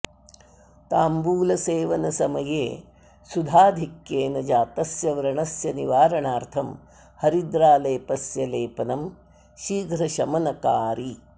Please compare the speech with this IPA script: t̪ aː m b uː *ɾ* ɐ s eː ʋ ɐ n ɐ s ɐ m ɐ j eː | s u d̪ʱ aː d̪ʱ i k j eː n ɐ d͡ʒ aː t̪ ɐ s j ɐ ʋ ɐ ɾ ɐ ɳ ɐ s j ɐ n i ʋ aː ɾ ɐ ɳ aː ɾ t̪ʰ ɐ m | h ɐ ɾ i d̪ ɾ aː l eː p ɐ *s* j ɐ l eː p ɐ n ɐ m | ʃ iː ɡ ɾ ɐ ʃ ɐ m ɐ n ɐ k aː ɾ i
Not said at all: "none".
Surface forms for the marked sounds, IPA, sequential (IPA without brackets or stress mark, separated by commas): l, s